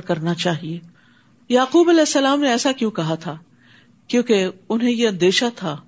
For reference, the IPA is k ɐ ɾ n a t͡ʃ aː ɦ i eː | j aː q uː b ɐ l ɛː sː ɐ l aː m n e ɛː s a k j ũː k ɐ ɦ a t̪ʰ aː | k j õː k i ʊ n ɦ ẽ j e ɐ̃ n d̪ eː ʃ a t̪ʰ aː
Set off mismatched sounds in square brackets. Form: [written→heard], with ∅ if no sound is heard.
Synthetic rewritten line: k ɐ ɾ n a t͡ʃ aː ɦ i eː | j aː q uː b ɐ l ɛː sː ɐ l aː m n e ɛː s a k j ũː k ɐ ɦ a t̪ʰ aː | k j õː k [i→e] ʊ n ɦ ẽ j e ɐ̃ n d̪ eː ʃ a t̪ʰ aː